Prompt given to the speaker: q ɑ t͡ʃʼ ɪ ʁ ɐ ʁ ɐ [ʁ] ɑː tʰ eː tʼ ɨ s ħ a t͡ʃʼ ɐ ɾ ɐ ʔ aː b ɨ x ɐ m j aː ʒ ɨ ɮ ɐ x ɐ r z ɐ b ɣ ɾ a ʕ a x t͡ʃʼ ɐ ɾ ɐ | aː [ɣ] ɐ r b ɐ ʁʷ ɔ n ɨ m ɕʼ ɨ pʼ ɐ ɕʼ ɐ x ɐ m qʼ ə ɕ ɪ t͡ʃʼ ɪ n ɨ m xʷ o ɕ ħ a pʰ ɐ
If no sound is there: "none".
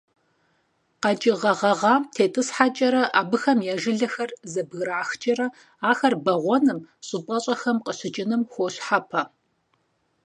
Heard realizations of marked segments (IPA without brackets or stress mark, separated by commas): ʁ, x